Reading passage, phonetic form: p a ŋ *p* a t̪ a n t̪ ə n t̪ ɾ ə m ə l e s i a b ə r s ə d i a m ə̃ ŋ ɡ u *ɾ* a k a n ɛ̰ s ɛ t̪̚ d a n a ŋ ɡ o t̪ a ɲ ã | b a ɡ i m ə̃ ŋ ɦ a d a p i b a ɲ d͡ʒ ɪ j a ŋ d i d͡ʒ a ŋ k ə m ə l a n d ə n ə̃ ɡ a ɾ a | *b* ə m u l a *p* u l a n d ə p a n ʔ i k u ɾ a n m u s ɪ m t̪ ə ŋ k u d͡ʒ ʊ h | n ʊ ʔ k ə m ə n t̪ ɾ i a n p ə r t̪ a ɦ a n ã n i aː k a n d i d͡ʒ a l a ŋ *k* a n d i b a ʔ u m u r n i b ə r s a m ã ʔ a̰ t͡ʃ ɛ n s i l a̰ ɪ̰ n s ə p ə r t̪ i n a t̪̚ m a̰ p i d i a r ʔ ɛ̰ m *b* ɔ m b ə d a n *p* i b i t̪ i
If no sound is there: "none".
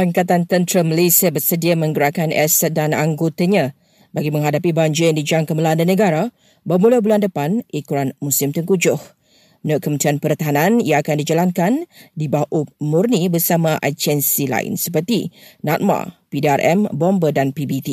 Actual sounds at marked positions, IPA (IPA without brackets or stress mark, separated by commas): k, ɾ, b, b, k, b, p